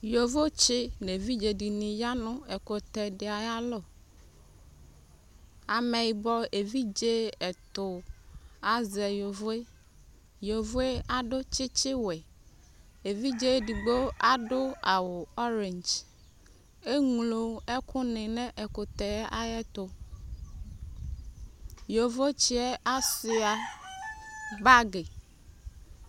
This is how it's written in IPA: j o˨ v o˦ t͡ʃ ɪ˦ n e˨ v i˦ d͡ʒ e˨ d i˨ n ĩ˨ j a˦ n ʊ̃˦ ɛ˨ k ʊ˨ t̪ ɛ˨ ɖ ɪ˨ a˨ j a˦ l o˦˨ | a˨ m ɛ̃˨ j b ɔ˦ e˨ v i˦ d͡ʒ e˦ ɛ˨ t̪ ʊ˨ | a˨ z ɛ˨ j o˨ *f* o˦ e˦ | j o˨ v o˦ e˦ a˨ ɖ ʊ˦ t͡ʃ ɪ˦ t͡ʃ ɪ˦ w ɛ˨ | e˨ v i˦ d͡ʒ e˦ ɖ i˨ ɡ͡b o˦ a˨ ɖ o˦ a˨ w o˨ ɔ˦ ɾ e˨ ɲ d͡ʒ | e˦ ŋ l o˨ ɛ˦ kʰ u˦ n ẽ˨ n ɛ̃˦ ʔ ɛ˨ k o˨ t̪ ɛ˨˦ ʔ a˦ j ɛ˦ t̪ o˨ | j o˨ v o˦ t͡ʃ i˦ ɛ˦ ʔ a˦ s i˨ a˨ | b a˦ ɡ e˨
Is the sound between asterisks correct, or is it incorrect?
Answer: incorrect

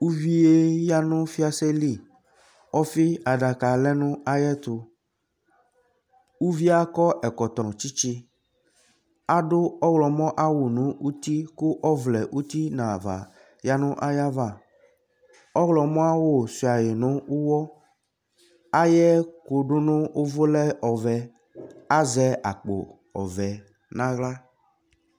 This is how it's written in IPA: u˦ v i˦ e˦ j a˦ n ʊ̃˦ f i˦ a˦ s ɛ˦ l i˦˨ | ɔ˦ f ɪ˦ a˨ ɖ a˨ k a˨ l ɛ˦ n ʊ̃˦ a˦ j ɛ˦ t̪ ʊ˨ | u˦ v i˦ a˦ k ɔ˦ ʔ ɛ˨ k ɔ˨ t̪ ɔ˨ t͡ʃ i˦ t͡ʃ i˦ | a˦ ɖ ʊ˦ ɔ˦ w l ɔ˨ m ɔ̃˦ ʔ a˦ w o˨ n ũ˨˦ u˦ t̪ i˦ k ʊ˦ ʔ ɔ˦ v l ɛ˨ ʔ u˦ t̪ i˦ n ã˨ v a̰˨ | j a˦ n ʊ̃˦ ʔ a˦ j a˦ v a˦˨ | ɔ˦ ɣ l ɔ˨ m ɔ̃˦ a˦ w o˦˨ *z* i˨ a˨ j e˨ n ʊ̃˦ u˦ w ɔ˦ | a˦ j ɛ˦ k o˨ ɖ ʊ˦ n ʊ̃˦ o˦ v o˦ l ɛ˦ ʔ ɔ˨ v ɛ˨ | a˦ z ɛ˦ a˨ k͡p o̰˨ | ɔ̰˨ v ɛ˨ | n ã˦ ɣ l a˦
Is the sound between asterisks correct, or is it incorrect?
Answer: incorrect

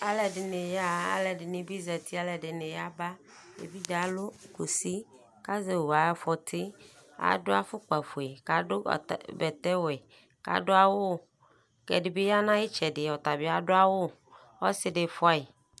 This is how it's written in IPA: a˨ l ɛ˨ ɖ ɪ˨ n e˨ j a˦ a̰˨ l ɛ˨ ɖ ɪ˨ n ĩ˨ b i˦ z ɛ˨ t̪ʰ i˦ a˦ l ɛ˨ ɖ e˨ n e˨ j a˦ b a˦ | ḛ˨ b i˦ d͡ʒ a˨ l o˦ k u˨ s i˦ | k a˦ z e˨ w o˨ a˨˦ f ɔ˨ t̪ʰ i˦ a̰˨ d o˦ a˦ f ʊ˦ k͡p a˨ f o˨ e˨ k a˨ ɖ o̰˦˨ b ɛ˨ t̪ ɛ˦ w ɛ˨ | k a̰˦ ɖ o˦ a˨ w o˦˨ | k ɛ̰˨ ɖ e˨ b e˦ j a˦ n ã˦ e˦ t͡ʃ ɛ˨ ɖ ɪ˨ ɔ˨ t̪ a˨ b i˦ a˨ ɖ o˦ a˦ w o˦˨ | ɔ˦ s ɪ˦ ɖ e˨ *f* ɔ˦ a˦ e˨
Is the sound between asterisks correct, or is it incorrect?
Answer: correct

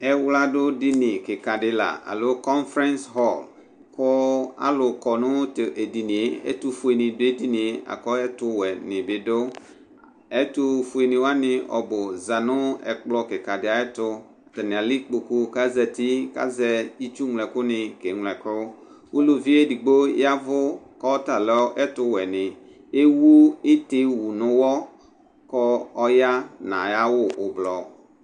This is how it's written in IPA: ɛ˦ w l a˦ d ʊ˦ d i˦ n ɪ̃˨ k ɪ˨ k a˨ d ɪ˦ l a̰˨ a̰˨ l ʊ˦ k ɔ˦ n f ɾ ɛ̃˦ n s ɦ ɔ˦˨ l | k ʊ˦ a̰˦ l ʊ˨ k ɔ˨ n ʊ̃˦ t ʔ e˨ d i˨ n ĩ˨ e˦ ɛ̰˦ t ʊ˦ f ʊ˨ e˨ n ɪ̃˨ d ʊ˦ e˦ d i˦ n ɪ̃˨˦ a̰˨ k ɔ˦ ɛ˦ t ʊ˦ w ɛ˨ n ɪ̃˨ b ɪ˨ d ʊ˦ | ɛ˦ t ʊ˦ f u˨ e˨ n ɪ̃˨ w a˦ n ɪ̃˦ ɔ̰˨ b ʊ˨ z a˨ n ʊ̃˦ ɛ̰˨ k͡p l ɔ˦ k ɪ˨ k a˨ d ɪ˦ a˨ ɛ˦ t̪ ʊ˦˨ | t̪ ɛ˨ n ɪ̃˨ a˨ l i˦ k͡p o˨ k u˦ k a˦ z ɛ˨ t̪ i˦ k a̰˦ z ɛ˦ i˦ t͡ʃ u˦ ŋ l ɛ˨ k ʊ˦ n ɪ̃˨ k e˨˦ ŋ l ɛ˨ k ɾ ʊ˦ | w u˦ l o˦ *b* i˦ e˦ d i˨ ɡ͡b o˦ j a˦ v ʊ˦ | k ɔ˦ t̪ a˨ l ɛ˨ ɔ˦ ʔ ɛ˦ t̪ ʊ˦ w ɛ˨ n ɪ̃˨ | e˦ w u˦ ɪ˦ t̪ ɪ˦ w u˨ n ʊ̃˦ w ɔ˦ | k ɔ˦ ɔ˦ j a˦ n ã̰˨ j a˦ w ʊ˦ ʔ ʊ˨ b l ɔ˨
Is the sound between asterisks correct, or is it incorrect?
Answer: incorrect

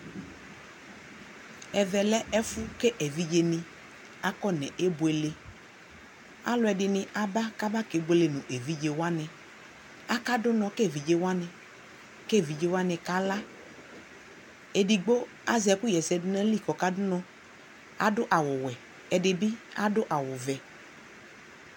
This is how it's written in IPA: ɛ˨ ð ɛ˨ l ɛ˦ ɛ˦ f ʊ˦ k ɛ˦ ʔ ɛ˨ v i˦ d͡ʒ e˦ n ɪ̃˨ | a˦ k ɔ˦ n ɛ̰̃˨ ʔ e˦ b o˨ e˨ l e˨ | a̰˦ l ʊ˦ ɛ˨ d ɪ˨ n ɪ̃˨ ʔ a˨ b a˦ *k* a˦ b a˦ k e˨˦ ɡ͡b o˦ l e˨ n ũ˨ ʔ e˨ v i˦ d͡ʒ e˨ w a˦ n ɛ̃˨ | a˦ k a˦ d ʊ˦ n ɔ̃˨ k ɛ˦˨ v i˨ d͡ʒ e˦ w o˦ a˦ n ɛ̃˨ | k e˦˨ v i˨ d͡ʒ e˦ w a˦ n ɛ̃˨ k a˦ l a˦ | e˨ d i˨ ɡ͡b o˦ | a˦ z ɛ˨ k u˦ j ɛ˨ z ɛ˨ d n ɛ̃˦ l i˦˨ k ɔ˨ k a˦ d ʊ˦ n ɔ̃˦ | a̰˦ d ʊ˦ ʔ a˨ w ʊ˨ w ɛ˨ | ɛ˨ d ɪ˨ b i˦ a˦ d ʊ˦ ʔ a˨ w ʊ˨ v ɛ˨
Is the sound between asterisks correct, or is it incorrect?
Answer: correct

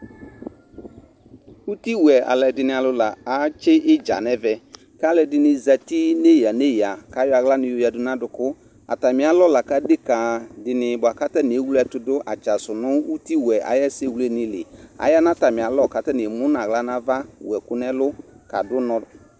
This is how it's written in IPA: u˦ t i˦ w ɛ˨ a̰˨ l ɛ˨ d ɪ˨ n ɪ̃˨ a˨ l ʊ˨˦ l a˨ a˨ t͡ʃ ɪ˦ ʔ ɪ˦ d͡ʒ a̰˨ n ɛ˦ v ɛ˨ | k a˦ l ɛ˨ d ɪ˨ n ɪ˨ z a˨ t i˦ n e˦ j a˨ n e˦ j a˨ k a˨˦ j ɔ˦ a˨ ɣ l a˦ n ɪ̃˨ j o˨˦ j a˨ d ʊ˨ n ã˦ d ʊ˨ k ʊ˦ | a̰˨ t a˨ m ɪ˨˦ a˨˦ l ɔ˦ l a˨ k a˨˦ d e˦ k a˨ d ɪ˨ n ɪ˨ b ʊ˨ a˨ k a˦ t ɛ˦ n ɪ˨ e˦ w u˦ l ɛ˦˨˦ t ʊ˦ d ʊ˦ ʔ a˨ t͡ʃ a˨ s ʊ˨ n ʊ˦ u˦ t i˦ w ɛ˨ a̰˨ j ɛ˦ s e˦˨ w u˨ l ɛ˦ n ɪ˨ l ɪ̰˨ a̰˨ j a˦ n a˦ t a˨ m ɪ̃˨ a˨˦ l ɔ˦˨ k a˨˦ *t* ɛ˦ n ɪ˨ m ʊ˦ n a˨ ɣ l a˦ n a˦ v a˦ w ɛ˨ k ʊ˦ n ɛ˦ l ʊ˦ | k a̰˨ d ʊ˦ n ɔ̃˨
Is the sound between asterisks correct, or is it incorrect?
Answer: correct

